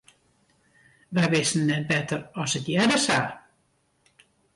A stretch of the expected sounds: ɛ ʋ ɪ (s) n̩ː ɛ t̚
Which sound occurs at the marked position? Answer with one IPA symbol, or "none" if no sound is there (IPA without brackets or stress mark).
s